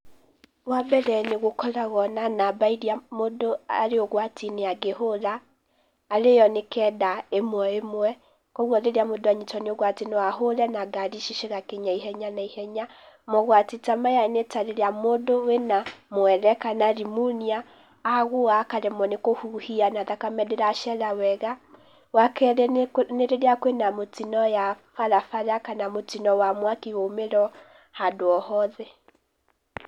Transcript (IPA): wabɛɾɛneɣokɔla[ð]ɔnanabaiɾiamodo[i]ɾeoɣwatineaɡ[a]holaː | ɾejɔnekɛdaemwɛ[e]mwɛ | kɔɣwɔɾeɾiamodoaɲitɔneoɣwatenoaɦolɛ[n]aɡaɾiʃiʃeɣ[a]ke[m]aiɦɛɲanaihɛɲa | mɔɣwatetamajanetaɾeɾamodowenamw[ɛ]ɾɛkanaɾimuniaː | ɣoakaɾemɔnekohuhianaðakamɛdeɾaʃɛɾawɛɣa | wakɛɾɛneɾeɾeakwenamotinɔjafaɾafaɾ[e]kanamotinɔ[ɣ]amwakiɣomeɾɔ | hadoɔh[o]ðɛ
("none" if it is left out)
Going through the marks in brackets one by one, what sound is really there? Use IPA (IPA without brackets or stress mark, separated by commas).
ɣ, a, e, e, n, a, ɲ, ɛ, a, w, ɔ